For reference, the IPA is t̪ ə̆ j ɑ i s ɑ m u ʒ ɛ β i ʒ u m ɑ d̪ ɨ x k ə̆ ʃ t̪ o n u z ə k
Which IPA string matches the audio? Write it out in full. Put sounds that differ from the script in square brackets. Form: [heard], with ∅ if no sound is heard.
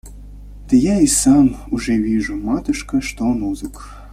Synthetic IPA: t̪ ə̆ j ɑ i s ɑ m u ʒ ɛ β i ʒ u m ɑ [t̪] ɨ [ʃ] k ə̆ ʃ t̪ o n u z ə k